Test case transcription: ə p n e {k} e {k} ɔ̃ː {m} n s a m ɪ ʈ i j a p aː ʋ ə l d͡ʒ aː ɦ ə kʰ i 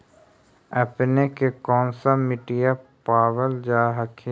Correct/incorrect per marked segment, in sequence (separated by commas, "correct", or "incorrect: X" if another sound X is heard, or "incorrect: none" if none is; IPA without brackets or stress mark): correct, correct, incorrect: none